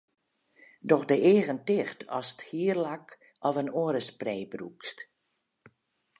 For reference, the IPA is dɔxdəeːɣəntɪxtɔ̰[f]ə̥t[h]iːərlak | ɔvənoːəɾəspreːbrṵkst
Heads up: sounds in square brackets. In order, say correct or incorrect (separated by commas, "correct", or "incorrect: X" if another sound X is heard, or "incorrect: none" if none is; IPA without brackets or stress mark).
incorrect: s, correct